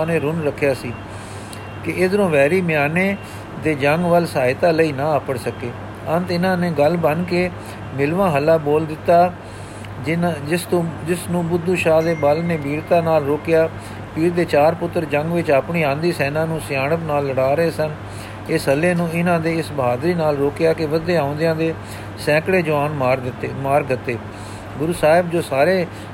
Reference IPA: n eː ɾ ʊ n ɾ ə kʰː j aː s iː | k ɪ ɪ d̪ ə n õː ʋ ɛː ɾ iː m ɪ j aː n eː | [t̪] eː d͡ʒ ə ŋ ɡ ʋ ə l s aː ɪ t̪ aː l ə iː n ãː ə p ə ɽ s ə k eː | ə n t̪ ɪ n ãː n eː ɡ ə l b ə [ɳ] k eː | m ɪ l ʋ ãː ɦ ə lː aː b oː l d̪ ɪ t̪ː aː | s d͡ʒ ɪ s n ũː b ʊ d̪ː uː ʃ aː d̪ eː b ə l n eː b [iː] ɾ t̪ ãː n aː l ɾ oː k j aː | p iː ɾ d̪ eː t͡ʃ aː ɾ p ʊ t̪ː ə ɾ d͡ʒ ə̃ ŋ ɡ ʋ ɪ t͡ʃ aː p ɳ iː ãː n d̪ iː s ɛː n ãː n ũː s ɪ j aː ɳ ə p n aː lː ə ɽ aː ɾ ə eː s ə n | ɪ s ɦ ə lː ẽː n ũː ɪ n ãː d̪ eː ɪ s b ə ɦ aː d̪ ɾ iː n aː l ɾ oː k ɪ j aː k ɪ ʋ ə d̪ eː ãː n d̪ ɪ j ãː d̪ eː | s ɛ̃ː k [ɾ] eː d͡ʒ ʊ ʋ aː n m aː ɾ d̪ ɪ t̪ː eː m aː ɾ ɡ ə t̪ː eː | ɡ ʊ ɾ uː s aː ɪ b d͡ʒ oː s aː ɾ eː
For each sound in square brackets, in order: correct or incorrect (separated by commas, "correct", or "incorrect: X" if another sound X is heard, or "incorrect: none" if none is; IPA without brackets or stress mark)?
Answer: incorrect: d̪, incorrect: n, correct, incorrect: ɽ